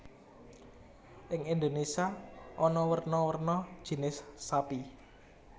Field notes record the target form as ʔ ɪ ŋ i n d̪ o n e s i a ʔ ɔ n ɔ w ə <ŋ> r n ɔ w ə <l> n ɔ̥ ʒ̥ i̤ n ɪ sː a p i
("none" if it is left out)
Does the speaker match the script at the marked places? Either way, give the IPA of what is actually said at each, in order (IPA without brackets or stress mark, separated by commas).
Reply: none, r